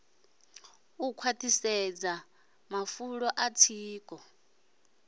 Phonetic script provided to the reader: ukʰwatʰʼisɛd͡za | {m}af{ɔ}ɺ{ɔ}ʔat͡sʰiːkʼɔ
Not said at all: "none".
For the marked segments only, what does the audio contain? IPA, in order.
m, u, ɔ

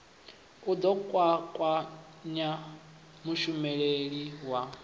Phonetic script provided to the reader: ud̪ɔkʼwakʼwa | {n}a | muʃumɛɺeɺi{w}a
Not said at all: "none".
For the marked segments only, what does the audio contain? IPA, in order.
ɲ, w

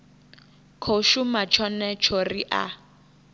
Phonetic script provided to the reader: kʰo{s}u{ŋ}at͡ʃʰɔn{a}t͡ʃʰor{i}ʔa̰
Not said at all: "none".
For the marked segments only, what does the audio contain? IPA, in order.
ʃ, m, ɛ, i

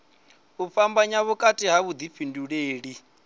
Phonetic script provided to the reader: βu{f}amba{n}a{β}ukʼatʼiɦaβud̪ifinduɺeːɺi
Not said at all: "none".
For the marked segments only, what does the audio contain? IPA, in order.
f, ɲ, β

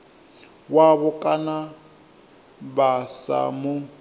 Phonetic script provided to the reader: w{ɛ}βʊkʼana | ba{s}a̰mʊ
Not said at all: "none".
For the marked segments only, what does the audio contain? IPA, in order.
a, s

